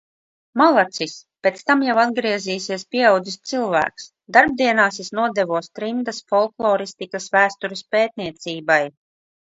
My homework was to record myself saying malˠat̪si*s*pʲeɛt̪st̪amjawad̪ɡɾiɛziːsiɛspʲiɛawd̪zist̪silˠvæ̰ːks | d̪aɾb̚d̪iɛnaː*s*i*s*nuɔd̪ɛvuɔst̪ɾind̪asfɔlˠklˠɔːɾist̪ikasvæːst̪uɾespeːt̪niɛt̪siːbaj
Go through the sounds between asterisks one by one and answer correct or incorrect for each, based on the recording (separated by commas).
correct, correct, correct